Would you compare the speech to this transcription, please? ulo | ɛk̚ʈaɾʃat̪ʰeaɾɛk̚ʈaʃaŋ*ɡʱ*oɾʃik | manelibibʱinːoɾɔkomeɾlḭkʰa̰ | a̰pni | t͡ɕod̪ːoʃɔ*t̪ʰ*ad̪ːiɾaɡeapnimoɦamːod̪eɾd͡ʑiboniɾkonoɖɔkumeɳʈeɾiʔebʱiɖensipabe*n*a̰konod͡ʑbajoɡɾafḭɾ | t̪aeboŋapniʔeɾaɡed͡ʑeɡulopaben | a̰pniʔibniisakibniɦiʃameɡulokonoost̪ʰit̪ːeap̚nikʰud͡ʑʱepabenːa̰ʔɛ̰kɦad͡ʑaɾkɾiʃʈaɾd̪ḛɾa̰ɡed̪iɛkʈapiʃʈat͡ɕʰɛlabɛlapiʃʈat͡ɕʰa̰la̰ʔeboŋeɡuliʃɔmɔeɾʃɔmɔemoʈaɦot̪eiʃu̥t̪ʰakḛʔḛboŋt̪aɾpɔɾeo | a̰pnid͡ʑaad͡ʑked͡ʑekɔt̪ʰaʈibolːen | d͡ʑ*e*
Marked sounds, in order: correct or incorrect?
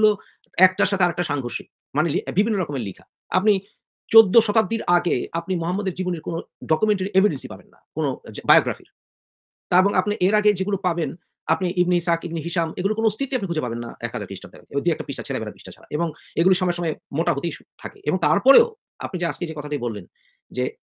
correct, incorrect: t̪, incorrect: nː, correct

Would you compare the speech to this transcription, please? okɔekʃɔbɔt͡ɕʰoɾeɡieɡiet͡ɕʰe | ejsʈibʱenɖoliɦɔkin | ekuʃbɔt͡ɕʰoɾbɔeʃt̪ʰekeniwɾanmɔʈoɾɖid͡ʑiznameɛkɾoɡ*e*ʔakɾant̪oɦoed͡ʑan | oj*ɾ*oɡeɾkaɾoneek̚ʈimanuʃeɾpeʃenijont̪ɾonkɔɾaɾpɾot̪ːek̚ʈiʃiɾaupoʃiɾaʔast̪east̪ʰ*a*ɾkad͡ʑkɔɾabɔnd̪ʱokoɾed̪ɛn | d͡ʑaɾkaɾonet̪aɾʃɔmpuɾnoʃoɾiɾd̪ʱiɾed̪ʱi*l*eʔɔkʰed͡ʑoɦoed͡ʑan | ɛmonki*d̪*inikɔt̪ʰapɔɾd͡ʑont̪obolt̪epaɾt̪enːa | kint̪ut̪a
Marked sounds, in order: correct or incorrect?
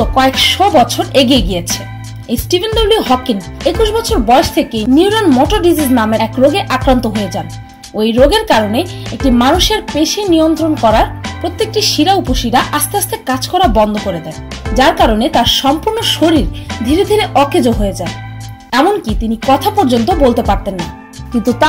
correct, correct, incorrect: e, incorrect: ɾ, incorrect: t̪

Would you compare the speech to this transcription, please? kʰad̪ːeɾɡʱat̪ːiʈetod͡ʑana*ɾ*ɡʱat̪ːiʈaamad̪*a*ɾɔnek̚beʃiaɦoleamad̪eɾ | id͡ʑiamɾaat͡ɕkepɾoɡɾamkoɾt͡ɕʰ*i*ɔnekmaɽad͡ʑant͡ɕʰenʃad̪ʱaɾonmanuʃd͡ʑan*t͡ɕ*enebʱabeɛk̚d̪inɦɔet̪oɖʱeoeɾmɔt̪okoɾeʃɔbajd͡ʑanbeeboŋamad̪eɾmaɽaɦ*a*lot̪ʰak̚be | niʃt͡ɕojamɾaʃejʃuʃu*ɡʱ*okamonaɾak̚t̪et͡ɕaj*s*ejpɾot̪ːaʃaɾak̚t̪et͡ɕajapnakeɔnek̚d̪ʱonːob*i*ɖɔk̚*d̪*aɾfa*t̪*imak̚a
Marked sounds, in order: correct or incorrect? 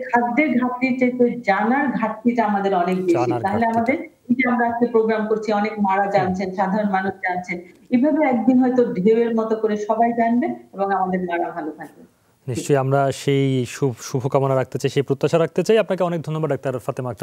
correct, incorrect: e, correct, incorrect: t͡ɕʰ, correct, incorrect: bʱ, incorrect: ʃ, incorrect: a, incorrect: t̪, correct

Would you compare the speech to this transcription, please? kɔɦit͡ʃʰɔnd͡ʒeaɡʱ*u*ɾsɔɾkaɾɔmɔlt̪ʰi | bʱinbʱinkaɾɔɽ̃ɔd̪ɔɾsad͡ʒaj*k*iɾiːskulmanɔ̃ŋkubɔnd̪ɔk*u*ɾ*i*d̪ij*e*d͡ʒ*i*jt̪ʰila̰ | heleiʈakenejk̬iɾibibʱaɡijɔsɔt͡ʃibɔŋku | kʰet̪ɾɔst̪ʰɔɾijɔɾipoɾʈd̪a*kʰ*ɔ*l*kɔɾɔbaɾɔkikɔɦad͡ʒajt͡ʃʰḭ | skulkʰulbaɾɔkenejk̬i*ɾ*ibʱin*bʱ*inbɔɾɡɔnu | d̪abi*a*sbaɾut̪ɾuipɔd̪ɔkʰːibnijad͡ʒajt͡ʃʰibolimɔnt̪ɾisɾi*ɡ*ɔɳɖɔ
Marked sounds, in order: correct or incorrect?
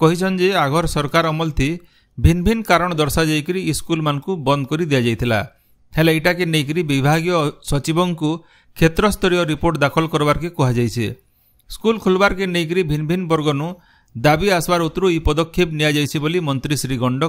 incorrect: ɔ, correct, incorrect: ɔ, correct, incorrect: a, incorrect: a, correct, correct, correct, correct, correct, correct

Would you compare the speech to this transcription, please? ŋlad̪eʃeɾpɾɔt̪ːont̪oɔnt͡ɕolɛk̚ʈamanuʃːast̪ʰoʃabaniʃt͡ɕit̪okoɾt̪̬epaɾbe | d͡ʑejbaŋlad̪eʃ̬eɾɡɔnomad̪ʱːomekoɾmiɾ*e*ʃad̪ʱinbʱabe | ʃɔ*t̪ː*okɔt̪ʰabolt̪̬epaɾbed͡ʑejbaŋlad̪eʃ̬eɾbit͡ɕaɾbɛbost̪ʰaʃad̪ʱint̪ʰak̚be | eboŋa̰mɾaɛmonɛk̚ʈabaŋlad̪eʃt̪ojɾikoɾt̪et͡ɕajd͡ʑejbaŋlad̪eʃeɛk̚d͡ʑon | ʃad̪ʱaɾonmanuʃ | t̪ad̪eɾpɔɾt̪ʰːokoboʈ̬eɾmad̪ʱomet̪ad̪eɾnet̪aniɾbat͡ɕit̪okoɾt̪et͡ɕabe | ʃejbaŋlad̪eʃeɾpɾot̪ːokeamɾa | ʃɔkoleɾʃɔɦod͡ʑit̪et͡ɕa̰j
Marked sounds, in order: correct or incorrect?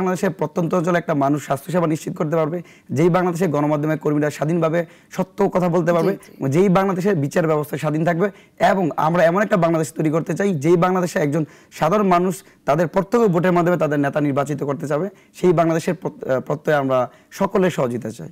incorrect: a, correct

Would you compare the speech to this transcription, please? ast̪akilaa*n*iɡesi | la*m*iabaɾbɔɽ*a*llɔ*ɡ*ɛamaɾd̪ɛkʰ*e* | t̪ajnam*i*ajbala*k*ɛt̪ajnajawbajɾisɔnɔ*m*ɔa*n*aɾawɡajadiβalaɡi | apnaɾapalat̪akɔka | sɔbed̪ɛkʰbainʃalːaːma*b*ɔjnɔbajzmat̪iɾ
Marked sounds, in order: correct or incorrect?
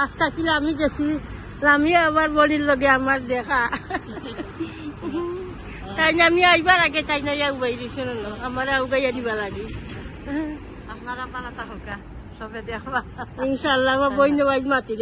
incorrect: m, correct, incorrect: i, correct, incorrect: a, correct, incorrect: ɡ, incorrect: n, incorrect: m, correct

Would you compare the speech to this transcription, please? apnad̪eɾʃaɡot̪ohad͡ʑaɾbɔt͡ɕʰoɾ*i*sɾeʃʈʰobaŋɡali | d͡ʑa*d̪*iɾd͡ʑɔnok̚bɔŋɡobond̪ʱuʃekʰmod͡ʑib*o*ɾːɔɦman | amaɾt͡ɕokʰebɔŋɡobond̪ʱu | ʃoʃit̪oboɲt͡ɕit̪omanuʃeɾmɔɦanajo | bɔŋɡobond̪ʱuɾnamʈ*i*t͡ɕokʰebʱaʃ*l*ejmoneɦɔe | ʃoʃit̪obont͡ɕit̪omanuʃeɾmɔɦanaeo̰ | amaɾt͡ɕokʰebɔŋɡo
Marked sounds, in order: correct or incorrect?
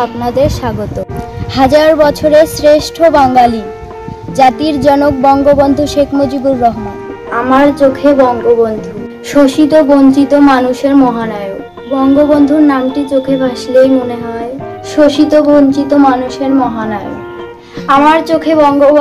incorrect: e, incorrect: t̪, incorrect: u, correct, correct

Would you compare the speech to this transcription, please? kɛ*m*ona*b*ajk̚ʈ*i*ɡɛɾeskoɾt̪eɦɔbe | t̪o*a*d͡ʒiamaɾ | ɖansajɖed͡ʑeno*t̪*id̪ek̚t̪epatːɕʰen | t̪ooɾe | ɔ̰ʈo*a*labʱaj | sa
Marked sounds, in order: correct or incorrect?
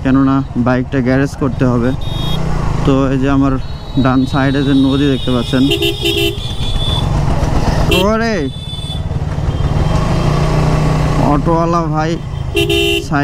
incorrect: n, correct, incorrect: a, incorrect: e, incorrect: d̪, correct

